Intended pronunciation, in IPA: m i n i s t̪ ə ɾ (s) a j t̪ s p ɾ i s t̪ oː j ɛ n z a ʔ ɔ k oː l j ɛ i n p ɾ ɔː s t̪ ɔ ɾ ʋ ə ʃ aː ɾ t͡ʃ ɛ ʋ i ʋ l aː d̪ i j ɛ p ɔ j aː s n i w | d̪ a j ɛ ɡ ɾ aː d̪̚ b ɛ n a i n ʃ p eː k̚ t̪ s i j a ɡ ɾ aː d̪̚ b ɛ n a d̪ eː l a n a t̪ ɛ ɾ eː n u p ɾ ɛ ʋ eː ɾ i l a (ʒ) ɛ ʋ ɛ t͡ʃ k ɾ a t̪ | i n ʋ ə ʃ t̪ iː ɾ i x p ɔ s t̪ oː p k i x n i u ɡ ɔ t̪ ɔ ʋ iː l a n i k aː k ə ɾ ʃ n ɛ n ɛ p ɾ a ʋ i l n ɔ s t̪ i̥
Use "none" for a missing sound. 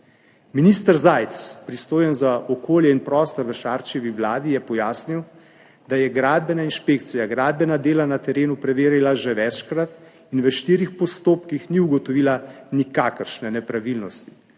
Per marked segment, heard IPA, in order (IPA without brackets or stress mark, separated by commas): z, ʒ